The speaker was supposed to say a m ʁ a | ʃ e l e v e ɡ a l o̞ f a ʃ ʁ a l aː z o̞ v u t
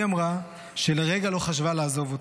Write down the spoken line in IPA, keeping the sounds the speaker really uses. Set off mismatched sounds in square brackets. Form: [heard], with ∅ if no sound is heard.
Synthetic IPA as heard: a m ʁ a | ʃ e l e [ʁ] e ɡ a l o̞ [χ] a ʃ [v] a l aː z o̞ v [o] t